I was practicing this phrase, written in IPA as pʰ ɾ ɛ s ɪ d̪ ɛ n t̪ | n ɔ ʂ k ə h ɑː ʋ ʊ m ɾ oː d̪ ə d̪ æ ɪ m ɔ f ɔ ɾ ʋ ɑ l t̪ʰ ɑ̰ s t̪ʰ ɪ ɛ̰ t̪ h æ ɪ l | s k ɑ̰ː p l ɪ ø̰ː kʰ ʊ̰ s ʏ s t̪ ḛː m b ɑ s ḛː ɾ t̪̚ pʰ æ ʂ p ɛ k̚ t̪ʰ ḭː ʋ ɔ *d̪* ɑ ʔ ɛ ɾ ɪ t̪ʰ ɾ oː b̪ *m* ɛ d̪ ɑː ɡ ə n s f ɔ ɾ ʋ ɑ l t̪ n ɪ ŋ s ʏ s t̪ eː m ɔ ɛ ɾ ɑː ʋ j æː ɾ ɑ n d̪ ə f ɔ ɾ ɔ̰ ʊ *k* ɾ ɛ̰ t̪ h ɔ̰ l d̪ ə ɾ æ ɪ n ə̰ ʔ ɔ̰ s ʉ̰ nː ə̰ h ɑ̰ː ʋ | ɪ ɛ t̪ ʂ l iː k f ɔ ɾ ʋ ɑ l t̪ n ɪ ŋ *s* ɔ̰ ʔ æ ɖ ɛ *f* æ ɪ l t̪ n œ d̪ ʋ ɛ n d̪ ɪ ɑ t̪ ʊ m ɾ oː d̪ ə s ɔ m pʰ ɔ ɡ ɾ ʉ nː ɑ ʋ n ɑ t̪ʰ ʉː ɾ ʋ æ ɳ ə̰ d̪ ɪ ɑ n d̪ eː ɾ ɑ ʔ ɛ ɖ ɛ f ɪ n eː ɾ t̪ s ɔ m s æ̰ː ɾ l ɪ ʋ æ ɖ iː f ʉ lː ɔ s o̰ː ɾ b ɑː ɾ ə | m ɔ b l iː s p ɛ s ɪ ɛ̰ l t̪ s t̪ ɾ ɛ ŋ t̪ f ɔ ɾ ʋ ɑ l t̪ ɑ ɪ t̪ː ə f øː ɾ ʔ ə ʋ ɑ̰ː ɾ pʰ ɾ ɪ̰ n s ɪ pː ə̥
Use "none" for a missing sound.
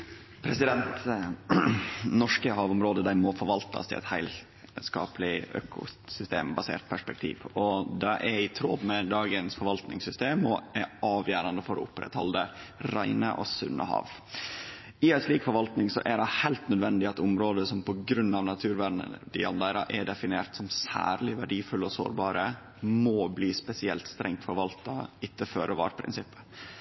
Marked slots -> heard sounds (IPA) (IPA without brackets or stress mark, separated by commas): d̪, m, p, s, h